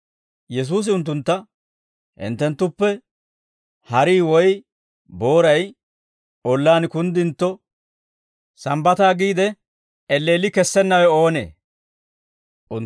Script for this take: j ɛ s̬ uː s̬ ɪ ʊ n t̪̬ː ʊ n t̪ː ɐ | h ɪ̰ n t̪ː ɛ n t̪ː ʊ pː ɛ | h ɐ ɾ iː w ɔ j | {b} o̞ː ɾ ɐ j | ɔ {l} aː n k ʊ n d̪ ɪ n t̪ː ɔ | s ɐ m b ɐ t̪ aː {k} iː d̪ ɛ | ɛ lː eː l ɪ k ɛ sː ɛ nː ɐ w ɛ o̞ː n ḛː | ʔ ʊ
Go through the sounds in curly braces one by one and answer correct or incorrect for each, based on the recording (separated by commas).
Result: correct, incorrect, incorrect